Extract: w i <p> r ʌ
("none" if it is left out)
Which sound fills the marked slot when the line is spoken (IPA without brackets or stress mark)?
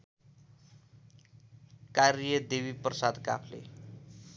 p